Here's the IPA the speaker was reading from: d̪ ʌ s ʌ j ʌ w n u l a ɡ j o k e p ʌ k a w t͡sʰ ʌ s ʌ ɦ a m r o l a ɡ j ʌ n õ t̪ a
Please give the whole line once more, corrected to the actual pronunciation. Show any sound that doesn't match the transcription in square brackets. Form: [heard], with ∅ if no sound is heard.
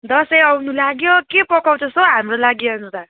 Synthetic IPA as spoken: d̪ ʌ s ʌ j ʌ w n u l a ɡ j o k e p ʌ k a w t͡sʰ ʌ s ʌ ɦ a m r o l a ɡ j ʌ n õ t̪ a